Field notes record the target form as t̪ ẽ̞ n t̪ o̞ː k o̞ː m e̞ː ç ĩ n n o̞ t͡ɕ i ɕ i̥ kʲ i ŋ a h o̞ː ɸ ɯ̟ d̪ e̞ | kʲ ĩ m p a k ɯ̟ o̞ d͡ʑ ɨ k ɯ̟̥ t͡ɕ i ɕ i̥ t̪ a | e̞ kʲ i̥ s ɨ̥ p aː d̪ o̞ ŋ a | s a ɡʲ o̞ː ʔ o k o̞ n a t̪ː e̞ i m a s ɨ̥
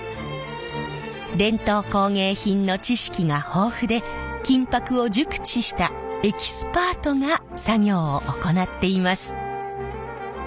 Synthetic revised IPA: d̪ ẽ̞ n t̪ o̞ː k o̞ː ŋ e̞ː ç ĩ n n o̞ t͡ɕ i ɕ i̥ kʲ i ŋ a h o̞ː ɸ ɯ̟ d̪ e̞ | kʲ ĩ m p a k ɯ̟ o̞ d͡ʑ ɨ k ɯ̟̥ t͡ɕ i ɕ i̥ t̪ a | e̞ kʲ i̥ s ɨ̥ p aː t̪ o̞ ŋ a | s a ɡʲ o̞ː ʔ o k o̞ n a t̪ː e̞ i m a s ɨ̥